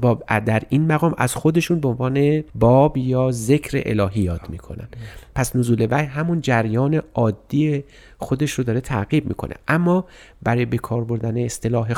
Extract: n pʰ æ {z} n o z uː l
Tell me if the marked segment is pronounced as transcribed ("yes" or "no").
no